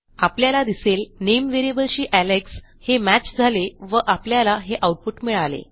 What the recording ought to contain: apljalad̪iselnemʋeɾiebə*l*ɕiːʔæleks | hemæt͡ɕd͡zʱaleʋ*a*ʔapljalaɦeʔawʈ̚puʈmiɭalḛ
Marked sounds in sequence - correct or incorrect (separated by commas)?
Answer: correct, incorrect